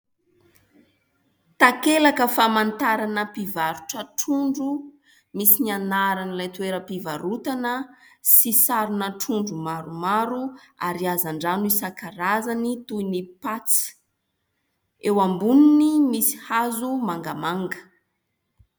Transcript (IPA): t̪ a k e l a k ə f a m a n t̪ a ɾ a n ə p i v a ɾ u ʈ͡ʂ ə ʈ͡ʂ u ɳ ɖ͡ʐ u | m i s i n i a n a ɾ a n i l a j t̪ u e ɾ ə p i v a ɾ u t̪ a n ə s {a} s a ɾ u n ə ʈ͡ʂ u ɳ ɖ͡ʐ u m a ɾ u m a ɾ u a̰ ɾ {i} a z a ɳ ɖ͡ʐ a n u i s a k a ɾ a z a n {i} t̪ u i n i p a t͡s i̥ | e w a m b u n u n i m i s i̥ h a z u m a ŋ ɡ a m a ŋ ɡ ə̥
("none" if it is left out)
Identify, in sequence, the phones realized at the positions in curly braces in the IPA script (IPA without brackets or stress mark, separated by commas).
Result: i, i, i